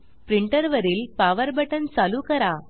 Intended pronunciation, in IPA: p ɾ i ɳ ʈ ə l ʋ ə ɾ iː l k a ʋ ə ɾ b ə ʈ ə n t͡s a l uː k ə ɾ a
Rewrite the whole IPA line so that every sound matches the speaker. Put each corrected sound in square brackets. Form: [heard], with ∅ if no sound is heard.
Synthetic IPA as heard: p ɾ i ɳ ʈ ə [ɾ] ʋ ə ɾ iː l [p] a ʋ ə ɾ b ə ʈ ə n t͡s a l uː k ə ɾ a